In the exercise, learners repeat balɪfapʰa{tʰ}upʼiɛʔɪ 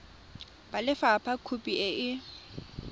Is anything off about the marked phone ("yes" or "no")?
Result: yes